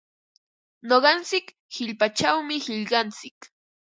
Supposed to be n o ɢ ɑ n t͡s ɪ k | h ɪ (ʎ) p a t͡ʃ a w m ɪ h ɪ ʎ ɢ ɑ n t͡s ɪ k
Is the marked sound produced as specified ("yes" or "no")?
yes